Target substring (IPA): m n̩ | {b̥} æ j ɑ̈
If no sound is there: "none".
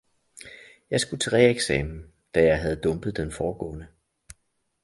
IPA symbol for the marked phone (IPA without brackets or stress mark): d̥